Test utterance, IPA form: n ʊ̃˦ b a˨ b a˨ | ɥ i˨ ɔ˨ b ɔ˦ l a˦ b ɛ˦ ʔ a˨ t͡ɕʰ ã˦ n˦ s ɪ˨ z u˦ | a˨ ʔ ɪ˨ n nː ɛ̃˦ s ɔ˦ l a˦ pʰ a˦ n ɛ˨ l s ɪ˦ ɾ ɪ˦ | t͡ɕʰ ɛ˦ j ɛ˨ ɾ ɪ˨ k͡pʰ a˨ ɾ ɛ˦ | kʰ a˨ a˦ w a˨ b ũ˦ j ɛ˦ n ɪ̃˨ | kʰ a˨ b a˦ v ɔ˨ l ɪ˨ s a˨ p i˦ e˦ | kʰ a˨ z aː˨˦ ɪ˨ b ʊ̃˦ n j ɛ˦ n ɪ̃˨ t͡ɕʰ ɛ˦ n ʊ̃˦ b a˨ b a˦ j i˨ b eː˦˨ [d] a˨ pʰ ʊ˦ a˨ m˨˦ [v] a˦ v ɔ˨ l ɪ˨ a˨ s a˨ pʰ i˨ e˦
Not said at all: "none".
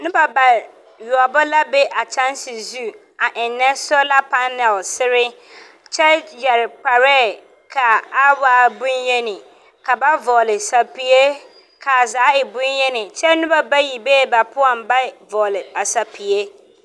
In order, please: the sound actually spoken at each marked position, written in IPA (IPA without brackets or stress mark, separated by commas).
b, b